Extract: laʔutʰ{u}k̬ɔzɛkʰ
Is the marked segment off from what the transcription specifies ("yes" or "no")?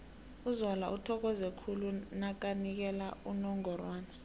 yes